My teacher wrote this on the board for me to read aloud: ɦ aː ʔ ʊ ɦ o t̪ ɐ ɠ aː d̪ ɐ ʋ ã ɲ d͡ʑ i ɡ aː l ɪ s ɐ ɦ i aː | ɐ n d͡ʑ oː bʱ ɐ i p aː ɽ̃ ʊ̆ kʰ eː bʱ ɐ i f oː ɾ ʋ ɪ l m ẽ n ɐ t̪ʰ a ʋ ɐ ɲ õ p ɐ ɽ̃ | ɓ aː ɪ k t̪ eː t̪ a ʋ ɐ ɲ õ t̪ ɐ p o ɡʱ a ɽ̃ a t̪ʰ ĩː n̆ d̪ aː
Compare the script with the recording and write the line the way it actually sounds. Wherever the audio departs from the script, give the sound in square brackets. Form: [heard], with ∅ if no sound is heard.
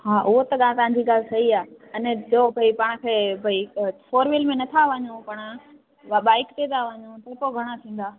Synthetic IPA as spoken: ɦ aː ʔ ʊ ɦ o t̪ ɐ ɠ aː [t̪] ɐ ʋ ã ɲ d͡ʑ i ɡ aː l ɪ s ɐ ɦ i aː | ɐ n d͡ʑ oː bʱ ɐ i p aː ɽ̃ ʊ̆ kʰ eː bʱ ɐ i f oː ɾ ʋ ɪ l m ẽ n ɐ t̪ʰ a ʋ ɐ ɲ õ p ɐ ɽ̃ | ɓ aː ɪ k t̪ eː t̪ a ʋ ɐ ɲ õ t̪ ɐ p o ɡʱ [ɐ] ɽ̃ a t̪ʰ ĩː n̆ d̪ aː